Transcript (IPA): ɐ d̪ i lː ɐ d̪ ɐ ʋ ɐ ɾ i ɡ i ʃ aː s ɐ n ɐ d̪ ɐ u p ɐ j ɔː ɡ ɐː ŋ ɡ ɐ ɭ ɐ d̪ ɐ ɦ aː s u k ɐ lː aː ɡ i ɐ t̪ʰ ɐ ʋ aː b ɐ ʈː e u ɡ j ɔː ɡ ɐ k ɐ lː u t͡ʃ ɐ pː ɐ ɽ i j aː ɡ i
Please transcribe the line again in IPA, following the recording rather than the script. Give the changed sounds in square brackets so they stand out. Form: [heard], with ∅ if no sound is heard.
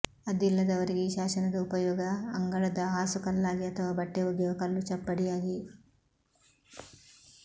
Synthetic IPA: ɐ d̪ i lː ɐ d̪ ɐ ʋ ɐ ɾ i ɡ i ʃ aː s ɐ n ɐ d̪ ɐ u p ɐ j ɔː ɡ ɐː ŋ ɡ ɐ ɭ ɐ d̪ ɐ ɦ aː s u k ɐ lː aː ɡ i ɐ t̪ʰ ɐ ʋ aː b ɐ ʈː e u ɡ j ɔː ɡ ɐ k ɐ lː u t͡ʃ ɐ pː ɐ ɽ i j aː ɡ i